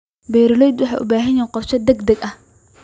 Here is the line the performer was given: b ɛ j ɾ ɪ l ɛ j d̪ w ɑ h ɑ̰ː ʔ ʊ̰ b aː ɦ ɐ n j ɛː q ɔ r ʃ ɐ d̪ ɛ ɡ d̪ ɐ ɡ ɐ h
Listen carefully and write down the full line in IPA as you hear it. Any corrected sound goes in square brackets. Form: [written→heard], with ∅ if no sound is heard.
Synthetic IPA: b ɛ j ɾ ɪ l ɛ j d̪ w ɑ [h→ħ] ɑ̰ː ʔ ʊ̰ b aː ɦ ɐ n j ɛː q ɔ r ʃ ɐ d̪ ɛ ɡ d̪ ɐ ɡ ɐ h